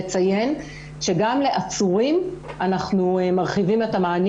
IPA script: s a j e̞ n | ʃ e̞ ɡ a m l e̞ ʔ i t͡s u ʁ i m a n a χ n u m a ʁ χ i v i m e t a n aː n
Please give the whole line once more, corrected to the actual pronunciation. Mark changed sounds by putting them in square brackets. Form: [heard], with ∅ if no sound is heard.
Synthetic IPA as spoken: [t͡s] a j e̞ n | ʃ e̞ ɡ a m l e̞ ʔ [a] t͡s u ʁ i m a n a χ n u m a ʁ χ i v i m e t a [m] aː n

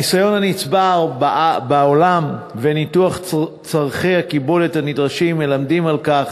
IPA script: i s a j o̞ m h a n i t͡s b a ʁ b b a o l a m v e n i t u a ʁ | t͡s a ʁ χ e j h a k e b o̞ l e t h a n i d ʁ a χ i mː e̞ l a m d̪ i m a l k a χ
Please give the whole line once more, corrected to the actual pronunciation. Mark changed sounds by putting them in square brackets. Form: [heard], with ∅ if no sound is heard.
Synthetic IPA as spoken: i s a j o̞ [n] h a n i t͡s b a ʁ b b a o l a m v e n i t u a [χ] | t͡s a ʁ χ e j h a k [i] b o̞ l e t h a n i d ʁ a [ʃ] i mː e̞ l a m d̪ i m a l k a χ

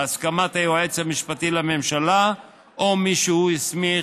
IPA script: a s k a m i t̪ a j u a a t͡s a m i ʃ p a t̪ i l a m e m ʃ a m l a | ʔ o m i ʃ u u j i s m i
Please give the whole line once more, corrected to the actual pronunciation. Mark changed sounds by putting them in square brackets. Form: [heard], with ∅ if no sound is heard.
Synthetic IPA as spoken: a s k a m [a] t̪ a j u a [e] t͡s a m i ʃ p a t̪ i l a m e m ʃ a [∅] l a | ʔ o m i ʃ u u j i s m i

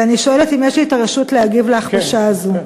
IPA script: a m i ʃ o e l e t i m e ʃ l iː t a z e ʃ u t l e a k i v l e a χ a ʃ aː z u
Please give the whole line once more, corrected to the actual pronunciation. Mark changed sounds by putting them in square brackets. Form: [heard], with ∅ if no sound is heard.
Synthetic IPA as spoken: a [n] i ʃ o e l e t i m e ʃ l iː t a [ʁ] e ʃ u t l e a [ɡ] i v l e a χ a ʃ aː z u

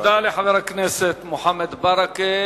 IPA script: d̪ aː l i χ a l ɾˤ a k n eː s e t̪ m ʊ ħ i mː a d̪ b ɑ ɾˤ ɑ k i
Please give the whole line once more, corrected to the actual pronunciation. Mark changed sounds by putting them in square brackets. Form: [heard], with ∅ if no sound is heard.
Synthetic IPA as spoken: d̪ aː l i [ħ] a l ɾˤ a k n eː s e t̪ m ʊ ħ [a] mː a d̪ b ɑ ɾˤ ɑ k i

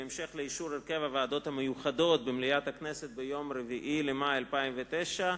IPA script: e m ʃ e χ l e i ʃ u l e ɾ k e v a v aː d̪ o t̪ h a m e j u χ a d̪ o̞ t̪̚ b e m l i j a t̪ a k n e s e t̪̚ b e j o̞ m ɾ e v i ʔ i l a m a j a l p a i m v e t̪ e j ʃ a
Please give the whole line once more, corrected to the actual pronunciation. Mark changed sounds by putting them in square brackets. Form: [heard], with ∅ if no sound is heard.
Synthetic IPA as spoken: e m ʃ e χ l e i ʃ u [ɾ] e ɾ k e v a v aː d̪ o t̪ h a m e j u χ a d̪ o̞ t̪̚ b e m l i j a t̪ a k n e s e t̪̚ b e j o̞ m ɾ e v i ʔ i l [e] m a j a l p a i m v e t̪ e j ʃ a

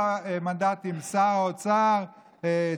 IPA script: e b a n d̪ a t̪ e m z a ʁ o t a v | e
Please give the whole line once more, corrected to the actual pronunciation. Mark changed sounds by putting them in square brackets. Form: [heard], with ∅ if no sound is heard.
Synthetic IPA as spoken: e [m] a n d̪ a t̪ [i] m [s] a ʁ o [t͡s] a [ʁ] | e

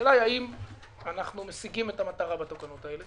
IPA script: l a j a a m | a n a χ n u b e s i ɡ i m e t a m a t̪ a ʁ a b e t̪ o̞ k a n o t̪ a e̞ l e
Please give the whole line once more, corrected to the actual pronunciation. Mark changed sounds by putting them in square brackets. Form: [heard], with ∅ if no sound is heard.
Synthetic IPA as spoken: l a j a [i] m | a n a χ n u [m] e s i ɡ i m e t a m a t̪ a ʁ a b [a] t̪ o̞ k a n o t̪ a e̞ l e

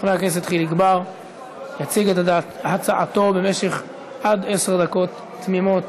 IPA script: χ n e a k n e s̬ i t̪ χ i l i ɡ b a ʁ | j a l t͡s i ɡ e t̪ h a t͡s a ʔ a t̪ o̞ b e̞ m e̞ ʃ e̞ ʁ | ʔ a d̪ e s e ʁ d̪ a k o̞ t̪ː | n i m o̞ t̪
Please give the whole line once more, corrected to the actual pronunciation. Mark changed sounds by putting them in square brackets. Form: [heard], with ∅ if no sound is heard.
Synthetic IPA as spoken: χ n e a k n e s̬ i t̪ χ i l i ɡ b a ʁ | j a [∅] t͡s i ɡ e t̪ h a t͡s a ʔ a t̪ o̞ b e̞ m e̞ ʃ e̞ [χ] | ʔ a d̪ e s e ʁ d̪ a k o̞ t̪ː | [m] i m o̞ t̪

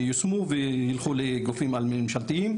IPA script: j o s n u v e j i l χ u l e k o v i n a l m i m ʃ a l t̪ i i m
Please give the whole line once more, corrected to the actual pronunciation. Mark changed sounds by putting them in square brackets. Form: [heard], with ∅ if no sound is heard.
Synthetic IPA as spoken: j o s [m] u v e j i l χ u l e [ɡ] o [f] i [m] a l m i m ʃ a l t̪ i i m

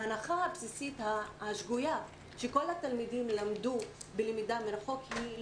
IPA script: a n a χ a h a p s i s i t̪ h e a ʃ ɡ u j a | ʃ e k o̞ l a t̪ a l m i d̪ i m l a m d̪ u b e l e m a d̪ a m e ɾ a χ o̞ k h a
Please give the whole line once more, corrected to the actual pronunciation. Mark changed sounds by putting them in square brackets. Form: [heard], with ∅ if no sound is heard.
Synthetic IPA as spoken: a n a χ a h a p s i s i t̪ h [a] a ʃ ɡ u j a | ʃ e k o̞ l a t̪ a l m i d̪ i m l a m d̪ u b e l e m [i] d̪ a m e ɾ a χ o̞ k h [i]

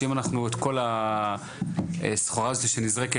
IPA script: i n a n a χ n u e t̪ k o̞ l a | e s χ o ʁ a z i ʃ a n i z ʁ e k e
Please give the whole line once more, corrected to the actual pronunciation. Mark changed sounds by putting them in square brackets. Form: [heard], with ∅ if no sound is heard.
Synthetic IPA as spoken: i [m] a n a χ n u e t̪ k o̞ l a | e s χ o ʁ a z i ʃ [e] n i z ʁ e k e

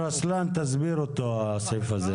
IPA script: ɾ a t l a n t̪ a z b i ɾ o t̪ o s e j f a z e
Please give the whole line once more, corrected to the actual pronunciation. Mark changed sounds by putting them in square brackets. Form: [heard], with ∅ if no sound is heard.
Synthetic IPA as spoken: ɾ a [s] l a n t̪ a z b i ɾ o t̪ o s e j f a z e

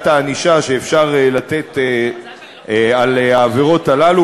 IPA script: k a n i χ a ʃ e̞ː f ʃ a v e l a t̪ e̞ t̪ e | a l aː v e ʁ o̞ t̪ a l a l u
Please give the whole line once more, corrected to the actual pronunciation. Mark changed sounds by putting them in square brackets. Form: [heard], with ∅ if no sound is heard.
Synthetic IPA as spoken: [t] a n i [ʃ] a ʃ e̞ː f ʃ a [ʁ] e l a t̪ e̞ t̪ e | a l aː v e ʁ o̞ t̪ a l a l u

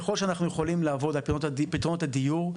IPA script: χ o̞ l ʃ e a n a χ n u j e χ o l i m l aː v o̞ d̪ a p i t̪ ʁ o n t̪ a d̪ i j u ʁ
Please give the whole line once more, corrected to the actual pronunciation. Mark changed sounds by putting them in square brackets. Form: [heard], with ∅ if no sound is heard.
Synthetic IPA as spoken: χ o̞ l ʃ e a n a χ n u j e χ o l i m l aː v o̞ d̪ a p i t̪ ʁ o n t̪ a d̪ i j u ʁ

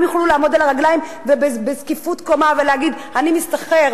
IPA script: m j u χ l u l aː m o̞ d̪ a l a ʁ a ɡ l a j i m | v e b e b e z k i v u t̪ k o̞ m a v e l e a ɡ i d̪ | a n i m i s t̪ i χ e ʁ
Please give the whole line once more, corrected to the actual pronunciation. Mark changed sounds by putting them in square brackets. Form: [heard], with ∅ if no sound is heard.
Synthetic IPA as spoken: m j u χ l u l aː m o̞ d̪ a l a ʁ a ɡ l a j i m | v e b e b e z k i [f] u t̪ k o̞ m a v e l e a ɡ i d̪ | a n i m i s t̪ [a] χ e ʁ

